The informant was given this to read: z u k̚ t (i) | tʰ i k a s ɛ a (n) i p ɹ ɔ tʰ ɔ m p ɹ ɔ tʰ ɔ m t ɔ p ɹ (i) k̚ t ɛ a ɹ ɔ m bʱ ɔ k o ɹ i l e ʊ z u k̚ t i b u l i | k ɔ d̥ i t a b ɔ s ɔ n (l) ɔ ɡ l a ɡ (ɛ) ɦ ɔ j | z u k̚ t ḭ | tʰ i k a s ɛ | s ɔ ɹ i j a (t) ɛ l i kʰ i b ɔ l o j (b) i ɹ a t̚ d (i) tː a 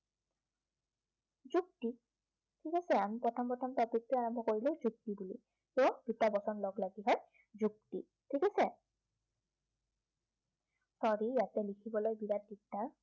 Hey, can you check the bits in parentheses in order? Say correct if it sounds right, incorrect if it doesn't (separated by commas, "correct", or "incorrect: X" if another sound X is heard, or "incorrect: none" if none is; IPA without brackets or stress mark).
correct, incorrect: m, correct, correct, incorrect: i, correct, correct, correct